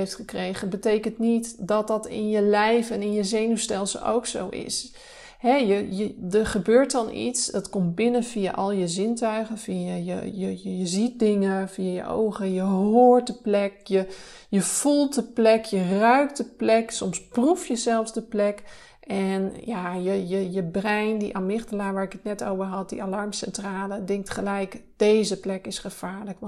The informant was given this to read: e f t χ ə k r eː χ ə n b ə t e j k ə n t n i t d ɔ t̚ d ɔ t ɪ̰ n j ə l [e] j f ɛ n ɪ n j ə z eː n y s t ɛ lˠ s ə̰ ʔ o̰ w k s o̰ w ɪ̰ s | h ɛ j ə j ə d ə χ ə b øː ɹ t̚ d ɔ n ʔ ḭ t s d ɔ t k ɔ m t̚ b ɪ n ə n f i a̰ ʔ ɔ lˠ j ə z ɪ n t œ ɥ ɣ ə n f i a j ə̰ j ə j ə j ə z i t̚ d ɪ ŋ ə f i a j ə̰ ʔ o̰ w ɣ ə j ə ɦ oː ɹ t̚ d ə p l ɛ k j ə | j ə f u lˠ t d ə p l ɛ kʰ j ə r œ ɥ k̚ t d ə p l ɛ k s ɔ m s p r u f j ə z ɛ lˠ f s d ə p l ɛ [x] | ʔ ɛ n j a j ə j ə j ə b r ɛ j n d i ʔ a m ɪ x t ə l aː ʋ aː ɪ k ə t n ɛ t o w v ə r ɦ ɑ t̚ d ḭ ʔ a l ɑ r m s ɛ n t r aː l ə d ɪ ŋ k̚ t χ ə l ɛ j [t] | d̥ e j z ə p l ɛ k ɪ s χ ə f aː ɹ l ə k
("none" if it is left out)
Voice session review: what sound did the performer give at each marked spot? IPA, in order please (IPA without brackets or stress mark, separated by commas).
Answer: ɛ, k, k